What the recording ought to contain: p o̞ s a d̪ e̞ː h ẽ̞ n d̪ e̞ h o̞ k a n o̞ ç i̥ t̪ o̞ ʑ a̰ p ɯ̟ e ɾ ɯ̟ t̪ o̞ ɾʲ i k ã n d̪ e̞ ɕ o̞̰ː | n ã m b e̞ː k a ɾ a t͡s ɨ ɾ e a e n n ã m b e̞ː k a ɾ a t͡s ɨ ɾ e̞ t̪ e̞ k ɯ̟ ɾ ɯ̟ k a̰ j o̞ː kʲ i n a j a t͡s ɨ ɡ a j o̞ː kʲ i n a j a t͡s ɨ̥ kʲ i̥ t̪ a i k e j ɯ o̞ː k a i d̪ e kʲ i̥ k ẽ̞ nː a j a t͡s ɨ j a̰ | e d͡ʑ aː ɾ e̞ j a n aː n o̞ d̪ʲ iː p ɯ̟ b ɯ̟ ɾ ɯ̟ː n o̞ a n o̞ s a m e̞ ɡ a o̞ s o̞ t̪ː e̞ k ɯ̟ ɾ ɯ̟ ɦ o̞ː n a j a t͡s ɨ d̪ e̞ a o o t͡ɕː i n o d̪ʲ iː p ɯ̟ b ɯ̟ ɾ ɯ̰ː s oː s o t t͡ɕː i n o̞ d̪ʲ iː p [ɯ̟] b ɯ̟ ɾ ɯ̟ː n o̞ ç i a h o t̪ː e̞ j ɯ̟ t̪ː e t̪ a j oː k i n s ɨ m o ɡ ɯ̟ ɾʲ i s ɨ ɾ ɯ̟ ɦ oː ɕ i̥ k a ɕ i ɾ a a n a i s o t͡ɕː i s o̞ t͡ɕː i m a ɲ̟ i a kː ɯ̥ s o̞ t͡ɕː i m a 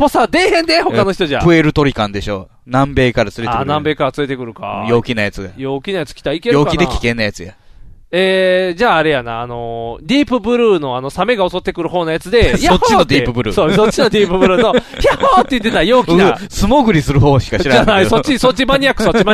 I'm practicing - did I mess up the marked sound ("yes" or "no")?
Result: no